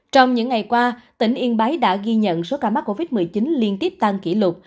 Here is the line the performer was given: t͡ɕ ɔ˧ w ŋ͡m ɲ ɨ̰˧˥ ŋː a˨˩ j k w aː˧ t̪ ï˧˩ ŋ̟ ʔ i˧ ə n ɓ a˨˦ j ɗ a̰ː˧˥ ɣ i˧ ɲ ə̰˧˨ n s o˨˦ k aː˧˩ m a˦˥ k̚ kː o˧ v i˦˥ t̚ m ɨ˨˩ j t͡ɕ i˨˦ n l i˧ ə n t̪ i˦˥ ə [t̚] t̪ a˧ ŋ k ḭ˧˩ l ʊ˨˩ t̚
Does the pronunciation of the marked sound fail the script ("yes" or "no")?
yes